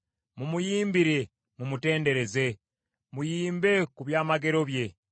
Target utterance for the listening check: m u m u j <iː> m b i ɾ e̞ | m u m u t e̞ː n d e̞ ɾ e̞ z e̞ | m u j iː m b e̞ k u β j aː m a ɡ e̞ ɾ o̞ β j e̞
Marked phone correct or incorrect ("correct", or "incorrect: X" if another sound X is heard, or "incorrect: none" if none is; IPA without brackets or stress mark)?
correct